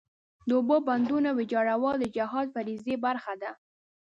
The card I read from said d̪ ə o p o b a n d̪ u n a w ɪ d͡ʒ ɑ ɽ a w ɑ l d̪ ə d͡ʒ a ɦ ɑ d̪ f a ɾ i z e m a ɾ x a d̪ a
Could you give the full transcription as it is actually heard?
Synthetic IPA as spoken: d̪ ə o b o b a n d̪ u n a w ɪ d͡ʒ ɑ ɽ a w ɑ l d̪ ə d͡ʒ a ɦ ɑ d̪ f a ɾ i z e b a ɾ x a d̪ a